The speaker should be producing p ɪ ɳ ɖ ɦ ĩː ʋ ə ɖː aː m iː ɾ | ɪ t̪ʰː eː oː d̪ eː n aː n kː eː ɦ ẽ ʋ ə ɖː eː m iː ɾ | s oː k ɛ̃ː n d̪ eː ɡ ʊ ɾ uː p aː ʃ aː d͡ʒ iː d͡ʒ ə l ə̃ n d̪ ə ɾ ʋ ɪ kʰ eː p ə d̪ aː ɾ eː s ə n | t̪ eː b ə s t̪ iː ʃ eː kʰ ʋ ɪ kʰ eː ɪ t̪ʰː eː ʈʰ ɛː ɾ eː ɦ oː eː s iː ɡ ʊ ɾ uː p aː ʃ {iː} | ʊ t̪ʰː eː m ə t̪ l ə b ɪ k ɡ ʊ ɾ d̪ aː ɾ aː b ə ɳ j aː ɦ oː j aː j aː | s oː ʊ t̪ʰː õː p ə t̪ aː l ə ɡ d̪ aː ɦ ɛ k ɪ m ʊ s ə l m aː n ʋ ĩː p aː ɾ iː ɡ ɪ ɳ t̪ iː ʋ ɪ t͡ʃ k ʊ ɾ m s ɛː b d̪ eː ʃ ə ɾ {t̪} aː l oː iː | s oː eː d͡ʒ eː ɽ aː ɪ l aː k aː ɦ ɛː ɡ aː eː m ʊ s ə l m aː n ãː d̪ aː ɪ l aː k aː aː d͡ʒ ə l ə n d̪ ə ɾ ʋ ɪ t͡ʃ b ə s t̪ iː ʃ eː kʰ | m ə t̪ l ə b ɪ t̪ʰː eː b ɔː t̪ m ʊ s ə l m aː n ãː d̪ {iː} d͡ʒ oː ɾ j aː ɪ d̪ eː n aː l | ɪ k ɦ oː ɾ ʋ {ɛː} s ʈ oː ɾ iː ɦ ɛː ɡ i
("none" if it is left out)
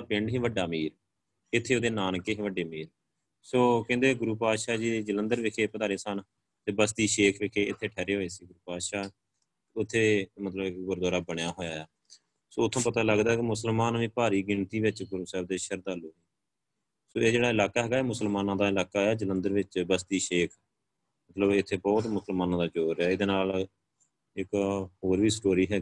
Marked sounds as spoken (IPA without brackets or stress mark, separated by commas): aː, d̪, aː, iː